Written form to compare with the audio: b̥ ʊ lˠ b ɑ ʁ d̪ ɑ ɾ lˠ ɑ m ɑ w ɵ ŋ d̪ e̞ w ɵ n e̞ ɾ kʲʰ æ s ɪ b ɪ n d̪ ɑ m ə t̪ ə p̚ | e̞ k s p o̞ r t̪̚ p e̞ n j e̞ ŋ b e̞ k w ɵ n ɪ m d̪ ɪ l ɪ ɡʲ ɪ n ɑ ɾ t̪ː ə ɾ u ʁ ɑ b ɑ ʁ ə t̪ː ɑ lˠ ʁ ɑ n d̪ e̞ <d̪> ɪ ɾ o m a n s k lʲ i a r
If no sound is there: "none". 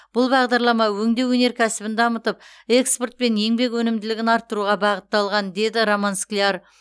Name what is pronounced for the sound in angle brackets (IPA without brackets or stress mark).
d̪